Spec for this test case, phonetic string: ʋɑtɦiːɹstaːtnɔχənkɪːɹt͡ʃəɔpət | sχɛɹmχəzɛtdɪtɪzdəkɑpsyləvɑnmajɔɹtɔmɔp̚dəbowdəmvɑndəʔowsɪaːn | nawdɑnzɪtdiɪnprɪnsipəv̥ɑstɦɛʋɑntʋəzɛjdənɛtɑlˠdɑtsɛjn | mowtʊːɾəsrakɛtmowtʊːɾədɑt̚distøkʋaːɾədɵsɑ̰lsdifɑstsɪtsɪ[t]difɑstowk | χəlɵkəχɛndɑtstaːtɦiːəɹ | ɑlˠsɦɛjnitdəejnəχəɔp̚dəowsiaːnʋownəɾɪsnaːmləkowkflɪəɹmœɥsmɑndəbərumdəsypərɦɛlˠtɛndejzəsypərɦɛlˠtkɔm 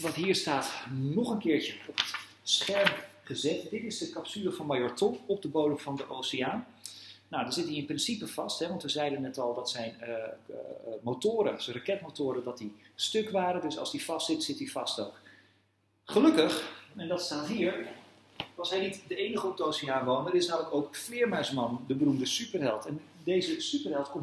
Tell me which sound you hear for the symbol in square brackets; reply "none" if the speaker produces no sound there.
t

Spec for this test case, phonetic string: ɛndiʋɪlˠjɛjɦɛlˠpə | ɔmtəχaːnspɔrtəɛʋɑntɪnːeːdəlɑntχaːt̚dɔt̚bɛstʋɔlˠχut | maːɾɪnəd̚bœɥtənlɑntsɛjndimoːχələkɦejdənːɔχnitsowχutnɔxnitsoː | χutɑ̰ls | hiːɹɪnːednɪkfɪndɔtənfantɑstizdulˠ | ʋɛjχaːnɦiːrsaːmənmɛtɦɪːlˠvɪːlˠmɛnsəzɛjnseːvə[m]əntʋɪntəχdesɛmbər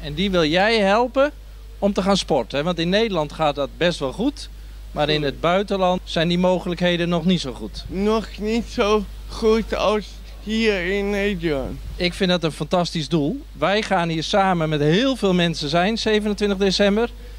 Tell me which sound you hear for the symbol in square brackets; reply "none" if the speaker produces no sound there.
n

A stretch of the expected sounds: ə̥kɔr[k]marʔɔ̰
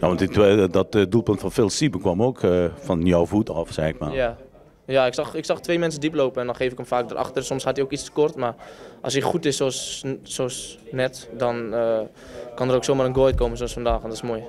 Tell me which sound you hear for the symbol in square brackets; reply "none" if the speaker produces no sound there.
t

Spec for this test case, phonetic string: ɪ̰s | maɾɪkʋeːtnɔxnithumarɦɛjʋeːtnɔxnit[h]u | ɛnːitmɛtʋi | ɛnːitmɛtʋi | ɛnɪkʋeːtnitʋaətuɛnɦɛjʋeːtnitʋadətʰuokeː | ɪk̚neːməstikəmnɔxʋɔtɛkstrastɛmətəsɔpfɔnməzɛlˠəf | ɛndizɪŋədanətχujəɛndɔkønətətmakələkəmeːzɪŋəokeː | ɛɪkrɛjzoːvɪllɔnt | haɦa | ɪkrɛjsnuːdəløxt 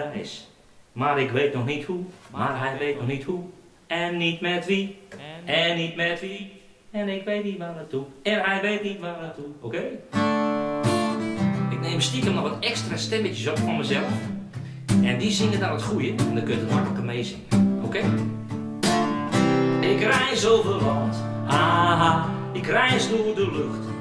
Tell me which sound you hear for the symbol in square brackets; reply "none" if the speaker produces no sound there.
h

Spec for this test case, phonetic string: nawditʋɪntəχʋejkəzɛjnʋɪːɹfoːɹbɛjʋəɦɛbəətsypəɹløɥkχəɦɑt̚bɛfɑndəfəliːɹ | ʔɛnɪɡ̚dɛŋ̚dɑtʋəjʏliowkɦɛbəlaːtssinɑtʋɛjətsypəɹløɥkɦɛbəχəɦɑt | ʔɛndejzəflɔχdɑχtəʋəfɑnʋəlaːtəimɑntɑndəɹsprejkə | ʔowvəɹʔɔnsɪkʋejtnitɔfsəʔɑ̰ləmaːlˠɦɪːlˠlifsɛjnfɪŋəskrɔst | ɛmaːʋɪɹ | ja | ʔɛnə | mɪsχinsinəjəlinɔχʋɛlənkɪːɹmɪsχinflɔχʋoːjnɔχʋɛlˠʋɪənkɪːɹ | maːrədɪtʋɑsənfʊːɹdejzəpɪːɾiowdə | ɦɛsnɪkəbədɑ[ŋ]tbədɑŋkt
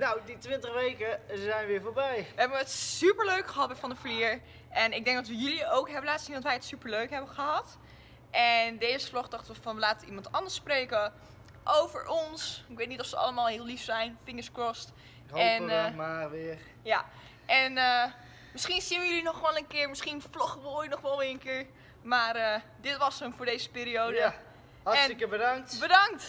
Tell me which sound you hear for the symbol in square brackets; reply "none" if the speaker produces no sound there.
ŋ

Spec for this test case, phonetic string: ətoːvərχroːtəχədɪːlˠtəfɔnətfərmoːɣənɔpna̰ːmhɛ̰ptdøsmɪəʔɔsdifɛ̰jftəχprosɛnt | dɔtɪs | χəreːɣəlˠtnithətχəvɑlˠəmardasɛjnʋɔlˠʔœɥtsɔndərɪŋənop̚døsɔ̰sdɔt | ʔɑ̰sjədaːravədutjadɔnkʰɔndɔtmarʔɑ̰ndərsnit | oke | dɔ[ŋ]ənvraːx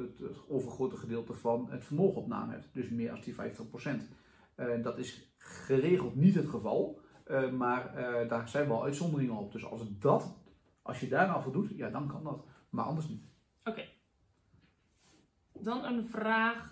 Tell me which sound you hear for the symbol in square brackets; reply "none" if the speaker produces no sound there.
n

